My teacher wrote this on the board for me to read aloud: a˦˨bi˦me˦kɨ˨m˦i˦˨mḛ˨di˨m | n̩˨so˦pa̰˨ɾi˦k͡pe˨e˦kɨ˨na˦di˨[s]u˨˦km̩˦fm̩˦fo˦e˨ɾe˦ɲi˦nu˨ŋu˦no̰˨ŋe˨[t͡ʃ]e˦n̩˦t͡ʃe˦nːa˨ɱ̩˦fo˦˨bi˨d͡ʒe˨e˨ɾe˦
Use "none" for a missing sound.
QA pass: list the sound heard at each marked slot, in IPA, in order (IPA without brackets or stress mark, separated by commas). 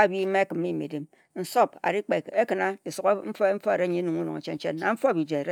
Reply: s, t͡ʃ